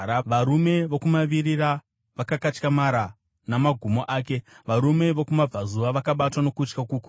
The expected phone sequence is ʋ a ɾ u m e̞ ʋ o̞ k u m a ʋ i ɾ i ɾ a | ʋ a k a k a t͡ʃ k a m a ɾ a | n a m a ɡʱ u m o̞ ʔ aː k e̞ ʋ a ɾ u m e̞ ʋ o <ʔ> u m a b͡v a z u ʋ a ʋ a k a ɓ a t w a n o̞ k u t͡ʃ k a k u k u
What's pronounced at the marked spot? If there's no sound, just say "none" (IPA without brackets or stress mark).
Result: k